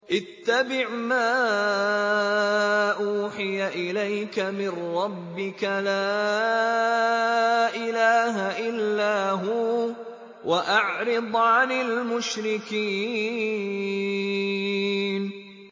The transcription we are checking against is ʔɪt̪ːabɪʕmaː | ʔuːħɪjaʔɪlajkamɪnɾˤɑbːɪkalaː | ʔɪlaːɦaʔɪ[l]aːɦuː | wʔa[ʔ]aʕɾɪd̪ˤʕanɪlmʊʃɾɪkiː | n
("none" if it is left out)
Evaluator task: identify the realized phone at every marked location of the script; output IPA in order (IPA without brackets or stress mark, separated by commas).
lː, ʔ